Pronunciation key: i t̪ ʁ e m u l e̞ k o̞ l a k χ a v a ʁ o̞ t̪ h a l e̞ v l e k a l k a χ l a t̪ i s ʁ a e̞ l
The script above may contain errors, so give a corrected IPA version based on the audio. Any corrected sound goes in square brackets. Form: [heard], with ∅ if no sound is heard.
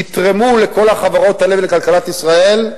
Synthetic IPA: i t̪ ʁ e m u l e̞ k o̞ l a [∅] χ a v a ʁ o̞ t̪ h a l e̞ v l e k a l k a [∅] l a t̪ i s ʁ a e̞ l